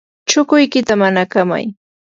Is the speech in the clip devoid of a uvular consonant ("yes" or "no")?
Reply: yes